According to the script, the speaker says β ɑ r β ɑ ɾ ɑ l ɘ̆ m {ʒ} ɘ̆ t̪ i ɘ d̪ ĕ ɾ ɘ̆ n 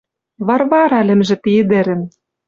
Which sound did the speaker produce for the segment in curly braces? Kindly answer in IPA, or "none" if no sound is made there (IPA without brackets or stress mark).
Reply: ʒ